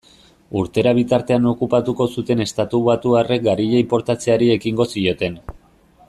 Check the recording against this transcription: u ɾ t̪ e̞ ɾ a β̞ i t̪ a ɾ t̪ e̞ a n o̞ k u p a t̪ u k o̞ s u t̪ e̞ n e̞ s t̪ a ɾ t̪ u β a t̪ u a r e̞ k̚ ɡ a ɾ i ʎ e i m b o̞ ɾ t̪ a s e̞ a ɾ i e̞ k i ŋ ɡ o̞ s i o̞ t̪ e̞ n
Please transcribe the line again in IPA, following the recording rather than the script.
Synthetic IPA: u ɾ t̪ e̞ ɾ a β̞ i t̪ a ɾ t̪ e̞ a n o̞ k u p a t̪ u k o̞ s u t̪ e̞ n e̞ s t̪ a t̪ u β a t̪ u a r e̞ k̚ ɡ a ɾ i ʎ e i m p o̞ ɾ t̪ a t͡s e̞ a ɾ i e̞ k i ŋ ɡ o̞ s i o̞ t̪ e̞ n

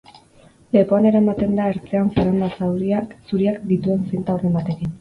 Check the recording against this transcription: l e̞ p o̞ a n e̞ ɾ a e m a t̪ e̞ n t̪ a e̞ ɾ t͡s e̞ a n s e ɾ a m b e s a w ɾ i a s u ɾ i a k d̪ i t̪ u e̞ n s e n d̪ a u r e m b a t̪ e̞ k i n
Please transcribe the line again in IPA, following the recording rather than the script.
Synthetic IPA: l e̞ p o̞ a n e̞ ɾ a e m a t̪ e̞ n d̪ a e̞ ɾ t͡s e̞ a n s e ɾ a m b a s a w ɾ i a s u ɾ i a k d̪ i t̪ u e̞ n s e n t̪ a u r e m b a t̪ e̞ k i n

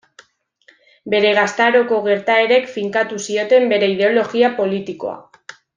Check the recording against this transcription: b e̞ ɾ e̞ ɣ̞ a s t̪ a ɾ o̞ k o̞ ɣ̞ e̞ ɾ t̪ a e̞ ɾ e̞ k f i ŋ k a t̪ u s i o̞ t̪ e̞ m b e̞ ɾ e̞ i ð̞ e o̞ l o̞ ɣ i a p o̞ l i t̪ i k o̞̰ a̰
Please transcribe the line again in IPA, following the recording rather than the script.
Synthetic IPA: b e̞ ɾ e̞ ɣ̞ a s t̪ a ɾ o̞ k o̞ ɣ̞ e̞ ɾ t̪ a e̞ ɾ e̞ k f i ŋ k a t̪ u s i o̞ t̪ e̞ m b e̞ ɾ e̞ i ð̞ e o̞ l o̞ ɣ i a p o̞ l i t̪ i k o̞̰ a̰

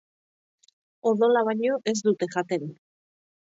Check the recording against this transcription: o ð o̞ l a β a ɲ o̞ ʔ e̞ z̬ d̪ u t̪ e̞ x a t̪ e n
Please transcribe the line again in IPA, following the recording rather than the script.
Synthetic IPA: o ð o̞ l a β a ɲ o̞ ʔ e̞ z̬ d̪ u t̪ e̞ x a t̪ e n

